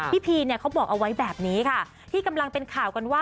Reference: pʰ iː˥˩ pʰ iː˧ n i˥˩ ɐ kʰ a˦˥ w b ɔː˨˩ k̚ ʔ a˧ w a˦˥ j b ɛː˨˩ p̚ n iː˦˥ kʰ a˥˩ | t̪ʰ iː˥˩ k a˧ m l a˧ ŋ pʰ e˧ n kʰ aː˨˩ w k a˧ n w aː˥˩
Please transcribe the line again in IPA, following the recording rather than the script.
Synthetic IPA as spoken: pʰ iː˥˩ pʰ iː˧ n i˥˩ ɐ kʰ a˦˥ w b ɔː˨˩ k̚ ʔ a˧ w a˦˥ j b ɛː˨˩ p̚ n iː˦˥ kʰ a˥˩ | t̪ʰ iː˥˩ k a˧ m l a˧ ŋ p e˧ n kʰ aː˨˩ w k a˧ n w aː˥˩